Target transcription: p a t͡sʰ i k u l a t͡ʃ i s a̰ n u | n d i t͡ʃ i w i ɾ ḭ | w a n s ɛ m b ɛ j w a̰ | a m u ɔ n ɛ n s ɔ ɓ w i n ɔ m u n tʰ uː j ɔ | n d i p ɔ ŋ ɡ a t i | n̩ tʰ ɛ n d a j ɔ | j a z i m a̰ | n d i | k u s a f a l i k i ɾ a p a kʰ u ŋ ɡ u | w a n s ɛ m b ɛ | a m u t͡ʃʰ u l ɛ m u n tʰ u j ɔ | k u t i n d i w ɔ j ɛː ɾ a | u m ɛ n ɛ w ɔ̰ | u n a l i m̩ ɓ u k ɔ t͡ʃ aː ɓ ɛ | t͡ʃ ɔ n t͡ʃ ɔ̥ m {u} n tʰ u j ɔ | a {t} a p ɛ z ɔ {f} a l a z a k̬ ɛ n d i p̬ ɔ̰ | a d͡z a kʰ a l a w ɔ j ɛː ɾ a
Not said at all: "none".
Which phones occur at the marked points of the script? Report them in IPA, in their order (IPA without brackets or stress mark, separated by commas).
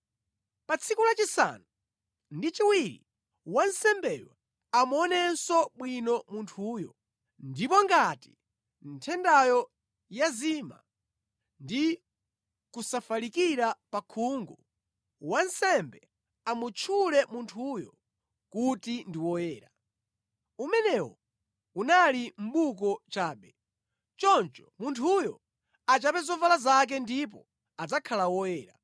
u, t͡ʃ, v